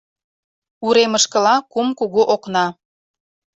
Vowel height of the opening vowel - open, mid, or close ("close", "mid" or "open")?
close